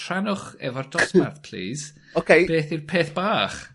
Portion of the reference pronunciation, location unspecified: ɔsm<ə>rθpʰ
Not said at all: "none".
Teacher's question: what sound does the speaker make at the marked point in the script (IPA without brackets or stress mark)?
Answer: a